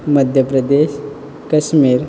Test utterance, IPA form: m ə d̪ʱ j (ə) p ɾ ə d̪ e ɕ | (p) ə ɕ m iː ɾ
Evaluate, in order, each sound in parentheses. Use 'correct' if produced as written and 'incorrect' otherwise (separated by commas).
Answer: correct, incorrect